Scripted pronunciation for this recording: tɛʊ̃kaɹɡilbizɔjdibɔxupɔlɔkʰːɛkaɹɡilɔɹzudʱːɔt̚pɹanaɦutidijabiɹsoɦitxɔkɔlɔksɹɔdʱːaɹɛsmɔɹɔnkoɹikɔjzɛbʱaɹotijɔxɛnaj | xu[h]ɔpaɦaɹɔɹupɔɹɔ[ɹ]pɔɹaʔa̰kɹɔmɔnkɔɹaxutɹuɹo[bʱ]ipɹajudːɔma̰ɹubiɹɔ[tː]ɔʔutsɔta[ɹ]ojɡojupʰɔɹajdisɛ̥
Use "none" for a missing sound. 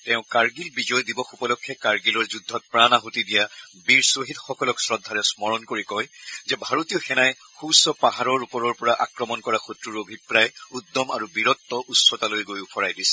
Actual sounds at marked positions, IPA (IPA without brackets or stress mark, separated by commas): s, ɹ, bʱ, tː, l